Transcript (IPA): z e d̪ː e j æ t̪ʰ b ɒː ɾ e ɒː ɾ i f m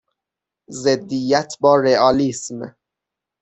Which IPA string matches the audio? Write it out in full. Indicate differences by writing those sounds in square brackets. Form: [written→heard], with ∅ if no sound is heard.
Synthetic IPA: z e d̪ː [e→i] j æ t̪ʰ b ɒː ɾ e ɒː [ɾ→l] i [f→s] m